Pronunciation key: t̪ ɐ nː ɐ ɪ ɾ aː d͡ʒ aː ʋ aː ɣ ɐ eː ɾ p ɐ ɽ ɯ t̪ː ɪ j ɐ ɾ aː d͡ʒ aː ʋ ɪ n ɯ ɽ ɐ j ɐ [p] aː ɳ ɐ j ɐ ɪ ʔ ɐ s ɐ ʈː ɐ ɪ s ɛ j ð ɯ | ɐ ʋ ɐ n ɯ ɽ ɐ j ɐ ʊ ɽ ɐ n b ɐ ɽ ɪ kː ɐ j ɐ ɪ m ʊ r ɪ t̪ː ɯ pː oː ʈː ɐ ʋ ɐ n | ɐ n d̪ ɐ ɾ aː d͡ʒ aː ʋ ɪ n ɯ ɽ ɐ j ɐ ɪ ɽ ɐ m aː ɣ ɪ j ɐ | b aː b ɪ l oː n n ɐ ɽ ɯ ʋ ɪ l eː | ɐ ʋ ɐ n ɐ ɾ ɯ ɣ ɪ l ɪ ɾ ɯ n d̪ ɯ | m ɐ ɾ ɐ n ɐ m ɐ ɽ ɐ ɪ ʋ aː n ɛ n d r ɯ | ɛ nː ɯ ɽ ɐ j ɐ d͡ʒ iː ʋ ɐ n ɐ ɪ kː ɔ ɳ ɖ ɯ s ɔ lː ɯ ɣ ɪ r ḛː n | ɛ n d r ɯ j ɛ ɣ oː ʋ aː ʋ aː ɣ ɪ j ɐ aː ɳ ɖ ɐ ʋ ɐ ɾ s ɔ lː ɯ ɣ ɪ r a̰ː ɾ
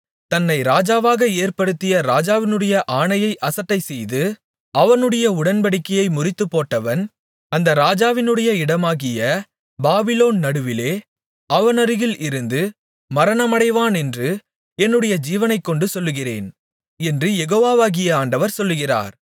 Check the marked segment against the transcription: incorrect: ʔ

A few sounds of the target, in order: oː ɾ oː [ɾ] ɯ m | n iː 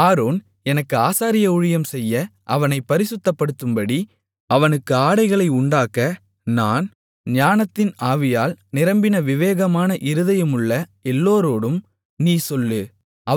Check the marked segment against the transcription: incorrect: ɽ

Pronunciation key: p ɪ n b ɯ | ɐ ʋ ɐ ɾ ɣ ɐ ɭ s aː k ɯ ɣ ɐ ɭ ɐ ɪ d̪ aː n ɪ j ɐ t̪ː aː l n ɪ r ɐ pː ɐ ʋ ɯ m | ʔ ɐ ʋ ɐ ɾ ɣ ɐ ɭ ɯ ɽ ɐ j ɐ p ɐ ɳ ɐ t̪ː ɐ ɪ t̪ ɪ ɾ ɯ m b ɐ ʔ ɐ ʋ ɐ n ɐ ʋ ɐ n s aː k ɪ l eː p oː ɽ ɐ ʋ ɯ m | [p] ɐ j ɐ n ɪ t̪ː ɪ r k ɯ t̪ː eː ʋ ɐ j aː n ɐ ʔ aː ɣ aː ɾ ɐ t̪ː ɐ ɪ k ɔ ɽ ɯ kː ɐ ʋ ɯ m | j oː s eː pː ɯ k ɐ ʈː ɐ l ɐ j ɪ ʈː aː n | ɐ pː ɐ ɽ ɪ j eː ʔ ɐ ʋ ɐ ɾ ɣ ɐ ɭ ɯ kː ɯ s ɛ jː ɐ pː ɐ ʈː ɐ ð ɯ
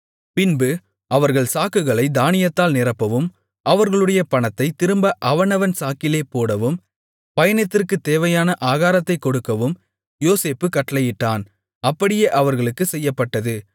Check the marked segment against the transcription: correct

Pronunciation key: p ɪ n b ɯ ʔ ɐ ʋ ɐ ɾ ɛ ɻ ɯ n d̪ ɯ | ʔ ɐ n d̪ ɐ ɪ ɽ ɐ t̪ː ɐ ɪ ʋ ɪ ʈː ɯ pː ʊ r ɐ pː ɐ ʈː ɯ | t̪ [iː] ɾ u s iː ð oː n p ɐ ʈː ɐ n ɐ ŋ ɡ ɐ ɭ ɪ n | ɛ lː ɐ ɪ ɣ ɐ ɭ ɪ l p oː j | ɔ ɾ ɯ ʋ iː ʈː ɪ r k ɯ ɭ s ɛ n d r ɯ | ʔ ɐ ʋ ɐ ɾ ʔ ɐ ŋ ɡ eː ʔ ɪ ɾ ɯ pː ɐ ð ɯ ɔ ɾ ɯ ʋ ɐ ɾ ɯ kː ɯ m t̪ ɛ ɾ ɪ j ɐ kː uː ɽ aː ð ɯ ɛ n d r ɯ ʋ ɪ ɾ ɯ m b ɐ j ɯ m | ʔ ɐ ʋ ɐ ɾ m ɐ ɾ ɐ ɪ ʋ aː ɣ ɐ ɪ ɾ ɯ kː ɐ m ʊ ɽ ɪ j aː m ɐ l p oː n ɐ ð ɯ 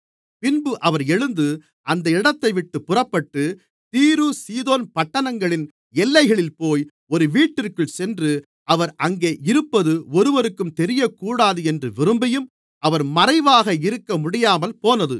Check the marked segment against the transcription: correct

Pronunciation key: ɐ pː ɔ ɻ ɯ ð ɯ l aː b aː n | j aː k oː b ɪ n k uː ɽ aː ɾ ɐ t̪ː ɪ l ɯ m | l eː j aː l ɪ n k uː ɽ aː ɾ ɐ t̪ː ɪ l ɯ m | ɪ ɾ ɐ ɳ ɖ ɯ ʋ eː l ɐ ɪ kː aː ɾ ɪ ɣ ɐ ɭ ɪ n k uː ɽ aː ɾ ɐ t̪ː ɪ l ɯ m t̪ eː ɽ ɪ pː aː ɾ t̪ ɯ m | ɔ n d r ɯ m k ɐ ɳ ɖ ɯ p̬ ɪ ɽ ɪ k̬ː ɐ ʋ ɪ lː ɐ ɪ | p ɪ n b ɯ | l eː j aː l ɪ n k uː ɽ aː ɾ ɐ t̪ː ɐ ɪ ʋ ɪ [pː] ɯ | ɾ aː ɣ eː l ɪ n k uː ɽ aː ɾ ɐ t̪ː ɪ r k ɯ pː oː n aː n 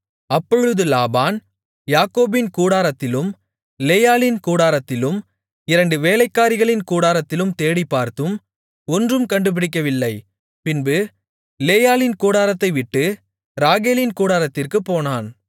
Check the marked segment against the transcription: incorrect: ʈː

